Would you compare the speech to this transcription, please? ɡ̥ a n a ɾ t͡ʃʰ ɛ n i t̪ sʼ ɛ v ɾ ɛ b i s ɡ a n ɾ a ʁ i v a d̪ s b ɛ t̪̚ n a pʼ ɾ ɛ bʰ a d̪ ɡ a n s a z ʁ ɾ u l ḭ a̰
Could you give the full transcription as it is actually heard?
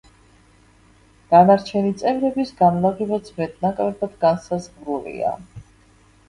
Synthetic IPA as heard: ɡ̥ a n a ɾ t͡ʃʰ ɛ n i t̪ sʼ ɛ v ɾ ɛ b i s ɡ a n l a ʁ i v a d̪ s m ɛ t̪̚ n a kʼ ɾ ɛ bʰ a d̪ ɡ a n s a z ʁ ɾ u l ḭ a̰